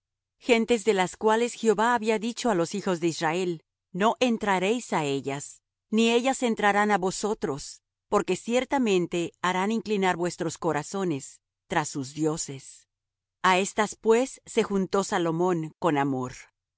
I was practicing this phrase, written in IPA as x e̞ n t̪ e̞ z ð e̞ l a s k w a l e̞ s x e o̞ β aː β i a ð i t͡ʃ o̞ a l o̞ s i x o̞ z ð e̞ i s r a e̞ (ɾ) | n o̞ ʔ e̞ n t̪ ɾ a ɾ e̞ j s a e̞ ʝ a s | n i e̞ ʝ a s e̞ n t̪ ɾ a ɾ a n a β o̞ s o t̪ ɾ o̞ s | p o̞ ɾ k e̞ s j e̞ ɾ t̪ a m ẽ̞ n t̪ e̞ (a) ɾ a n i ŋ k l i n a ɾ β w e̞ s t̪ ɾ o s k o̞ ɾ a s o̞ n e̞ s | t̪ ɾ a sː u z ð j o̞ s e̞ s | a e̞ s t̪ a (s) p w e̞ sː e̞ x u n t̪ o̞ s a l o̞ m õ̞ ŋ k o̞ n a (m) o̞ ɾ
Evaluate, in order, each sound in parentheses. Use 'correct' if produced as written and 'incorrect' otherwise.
incorrect: l, correct, correct, correct

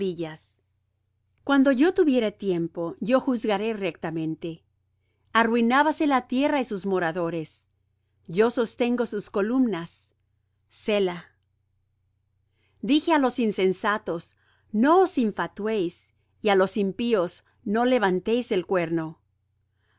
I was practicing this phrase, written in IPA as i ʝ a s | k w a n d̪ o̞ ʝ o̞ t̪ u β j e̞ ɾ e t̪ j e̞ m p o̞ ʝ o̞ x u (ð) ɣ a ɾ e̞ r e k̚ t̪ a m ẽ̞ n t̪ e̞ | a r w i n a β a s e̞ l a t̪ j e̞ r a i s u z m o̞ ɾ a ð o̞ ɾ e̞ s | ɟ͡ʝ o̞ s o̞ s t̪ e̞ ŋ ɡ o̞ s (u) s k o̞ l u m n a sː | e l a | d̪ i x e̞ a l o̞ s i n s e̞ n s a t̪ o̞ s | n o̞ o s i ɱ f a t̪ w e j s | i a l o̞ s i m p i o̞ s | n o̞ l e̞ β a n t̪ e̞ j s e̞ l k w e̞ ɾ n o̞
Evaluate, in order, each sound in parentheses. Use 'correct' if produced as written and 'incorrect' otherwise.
incorrect: z, correct

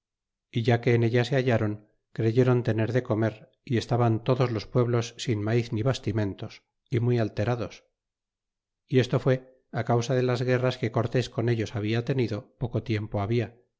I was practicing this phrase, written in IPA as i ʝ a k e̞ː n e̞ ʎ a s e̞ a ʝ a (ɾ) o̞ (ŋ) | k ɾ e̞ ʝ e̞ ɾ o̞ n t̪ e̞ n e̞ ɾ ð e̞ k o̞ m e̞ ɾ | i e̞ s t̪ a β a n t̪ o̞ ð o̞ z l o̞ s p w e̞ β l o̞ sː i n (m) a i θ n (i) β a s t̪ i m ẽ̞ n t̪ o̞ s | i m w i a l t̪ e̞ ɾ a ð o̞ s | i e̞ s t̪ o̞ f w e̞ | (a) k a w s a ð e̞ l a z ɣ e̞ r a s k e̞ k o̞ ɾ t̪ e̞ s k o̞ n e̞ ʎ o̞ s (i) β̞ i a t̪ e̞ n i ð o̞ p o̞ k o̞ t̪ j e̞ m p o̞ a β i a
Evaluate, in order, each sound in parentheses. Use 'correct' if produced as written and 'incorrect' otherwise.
correct, correct, correct, correct, correct, incorrect: a

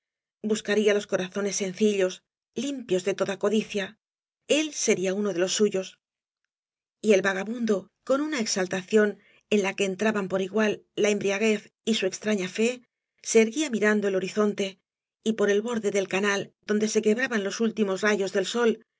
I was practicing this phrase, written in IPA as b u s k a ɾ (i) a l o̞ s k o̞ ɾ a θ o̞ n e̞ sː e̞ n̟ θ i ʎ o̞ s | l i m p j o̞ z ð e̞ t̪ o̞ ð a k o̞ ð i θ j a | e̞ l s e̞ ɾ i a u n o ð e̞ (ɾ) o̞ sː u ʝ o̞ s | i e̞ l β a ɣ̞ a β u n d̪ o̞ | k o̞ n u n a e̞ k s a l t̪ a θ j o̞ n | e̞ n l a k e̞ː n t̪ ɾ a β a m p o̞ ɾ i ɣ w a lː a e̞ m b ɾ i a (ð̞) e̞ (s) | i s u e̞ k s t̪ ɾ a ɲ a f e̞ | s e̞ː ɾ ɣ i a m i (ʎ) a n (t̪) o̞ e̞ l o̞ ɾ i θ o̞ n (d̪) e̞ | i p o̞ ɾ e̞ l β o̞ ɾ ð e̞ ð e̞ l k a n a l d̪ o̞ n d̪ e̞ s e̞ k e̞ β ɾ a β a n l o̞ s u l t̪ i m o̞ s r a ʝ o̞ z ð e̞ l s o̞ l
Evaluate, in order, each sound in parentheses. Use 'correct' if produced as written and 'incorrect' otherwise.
correct, incorrect: l, incorrect: ɣ̞, incorrect: θ, incorrect: ɾ, incorrect: d̪, incorrect: t̪

